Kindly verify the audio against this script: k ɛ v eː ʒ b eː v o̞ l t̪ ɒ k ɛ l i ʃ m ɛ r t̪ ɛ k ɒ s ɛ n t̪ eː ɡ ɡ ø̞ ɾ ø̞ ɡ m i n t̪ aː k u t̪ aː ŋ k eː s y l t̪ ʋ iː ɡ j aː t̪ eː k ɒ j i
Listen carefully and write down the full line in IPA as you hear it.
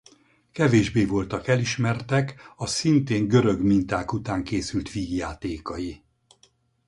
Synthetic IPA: k ɛ v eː ʒ b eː v o̞ l t̪ ɒ k ɛ l i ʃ m ɛ r t̪ ɛ k ɒ s i n t̪ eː ŋ ɡ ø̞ ɾ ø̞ ɡ m i n t̪ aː k u t̪ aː ŋ k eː s y l t̪ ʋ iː ɡ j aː t̪ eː k ɒ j i